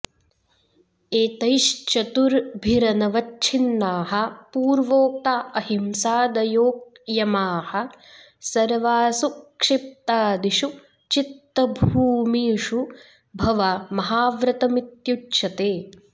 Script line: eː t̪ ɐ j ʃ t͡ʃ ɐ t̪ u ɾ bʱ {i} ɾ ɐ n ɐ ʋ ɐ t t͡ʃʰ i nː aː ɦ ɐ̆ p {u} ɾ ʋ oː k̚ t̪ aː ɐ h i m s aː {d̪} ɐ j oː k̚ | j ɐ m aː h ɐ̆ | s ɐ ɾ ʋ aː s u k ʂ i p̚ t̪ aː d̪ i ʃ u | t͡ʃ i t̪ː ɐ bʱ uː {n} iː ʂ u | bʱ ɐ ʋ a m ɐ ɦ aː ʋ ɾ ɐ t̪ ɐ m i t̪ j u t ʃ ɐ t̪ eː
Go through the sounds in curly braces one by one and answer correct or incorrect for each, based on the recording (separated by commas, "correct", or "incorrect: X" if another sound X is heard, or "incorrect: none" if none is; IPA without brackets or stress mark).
correct, incorrect: uː, correct, incorrect: m